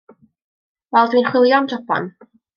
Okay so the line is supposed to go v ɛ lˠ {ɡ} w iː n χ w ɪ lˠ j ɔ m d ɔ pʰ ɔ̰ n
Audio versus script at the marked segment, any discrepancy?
yes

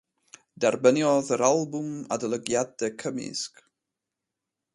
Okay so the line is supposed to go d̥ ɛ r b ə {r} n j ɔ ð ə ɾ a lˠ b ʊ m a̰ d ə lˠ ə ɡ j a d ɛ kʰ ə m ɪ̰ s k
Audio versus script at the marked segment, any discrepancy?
yes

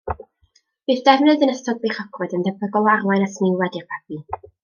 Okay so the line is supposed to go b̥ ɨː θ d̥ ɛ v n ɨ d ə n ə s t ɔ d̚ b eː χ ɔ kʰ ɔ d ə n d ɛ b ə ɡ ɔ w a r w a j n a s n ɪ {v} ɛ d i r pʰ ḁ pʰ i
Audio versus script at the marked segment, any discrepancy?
yes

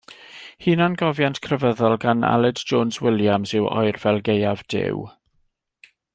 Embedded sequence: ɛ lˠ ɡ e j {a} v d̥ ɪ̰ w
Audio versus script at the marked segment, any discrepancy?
no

